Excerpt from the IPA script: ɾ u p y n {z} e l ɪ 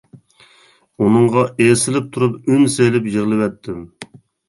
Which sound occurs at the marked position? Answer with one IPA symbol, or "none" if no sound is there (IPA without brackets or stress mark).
s